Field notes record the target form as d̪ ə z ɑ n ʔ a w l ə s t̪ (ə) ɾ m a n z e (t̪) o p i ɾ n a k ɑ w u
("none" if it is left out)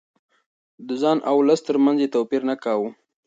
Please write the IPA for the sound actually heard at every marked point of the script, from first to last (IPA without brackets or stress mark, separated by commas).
ə, t̪